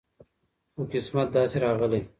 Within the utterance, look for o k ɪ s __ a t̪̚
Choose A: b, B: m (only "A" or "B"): B